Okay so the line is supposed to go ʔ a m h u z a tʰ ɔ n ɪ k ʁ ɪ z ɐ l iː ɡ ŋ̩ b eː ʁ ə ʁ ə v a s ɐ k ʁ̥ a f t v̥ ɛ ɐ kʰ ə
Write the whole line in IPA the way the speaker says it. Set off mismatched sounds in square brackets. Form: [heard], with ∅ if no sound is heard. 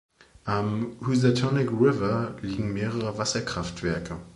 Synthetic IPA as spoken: ʔ a m h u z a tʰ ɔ n ɪ k ʁ ɪ [v] ɐ l iː ɡ ŋ̩ [m] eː ʁ ə ʁ ə v a s ɐ k ʁ̥ a f t v̥ ɛ ɐ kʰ ə